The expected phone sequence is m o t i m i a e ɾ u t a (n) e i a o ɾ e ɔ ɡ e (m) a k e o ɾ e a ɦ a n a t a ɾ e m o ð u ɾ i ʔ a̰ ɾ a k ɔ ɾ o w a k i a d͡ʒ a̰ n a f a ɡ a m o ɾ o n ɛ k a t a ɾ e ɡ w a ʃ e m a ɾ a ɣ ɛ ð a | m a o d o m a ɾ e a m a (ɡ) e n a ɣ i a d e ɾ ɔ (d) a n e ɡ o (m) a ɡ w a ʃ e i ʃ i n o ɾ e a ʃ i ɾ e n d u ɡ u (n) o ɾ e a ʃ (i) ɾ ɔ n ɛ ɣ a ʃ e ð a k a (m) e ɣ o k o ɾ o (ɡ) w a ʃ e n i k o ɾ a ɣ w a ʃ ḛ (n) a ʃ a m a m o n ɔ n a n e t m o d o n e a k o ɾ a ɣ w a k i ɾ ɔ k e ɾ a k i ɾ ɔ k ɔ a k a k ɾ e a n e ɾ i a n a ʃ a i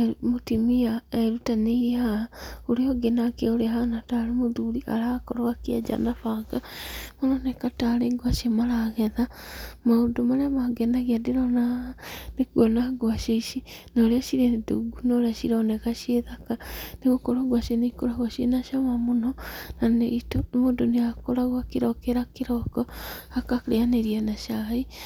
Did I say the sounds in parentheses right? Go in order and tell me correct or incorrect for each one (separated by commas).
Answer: correct, incorrect, correct, incorrect, incorrect, correct, correct, incorrect, correct, correct